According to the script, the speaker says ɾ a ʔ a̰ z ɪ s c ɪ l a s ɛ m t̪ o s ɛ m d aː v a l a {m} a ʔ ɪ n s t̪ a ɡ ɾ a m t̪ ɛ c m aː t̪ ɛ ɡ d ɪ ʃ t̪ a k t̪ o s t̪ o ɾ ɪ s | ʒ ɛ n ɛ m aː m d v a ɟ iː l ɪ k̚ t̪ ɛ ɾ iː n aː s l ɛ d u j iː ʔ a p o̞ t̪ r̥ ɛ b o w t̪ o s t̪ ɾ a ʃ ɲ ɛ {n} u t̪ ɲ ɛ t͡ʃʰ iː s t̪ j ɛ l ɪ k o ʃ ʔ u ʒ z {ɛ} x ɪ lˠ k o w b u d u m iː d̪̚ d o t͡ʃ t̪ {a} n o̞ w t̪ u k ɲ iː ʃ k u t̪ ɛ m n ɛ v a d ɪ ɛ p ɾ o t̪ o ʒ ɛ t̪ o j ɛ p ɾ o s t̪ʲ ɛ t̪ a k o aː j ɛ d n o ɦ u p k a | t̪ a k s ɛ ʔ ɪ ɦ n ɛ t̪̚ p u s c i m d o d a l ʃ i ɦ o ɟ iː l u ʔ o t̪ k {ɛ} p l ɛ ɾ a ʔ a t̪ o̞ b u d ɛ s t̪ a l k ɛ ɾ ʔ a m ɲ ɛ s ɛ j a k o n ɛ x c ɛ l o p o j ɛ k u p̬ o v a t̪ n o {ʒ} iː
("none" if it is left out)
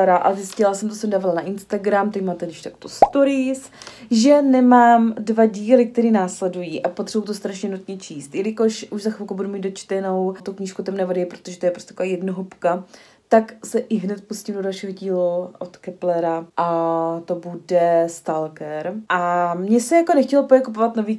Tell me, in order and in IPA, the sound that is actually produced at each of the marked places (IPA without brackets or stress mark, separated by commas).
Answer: n, n, a, ɛ, ɛ, v